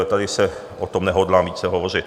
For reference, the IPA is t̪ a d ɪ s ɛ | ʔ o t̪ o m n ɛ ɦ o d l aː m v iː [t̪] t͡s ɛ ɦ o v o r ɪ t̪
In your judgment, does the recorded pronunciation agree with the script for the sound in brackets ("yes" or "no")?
no